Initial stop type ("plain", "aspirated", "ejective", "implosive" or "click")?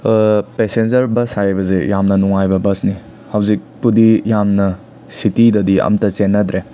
plain